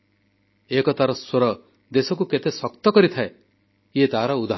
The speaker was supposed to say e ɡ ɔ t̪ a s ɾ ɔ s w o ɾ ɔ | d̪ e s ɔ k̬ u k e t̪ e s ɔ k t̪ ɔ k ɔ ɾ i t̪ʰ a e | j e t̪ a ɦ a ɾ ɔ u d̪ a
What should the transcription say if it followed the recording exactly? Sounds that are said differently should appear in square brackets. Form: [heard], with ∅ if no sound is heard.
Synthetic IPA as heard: e [k] ɔ t̪ a [∅] ɾ ɔ s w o ɾ ɔ | d̪ e s ɔ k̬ u k e t̪ e s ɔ k t̪ ɔ k ɔ ɾ i t̪ʰ a e | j e t̪ a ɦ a ɾ ɔ u d̪ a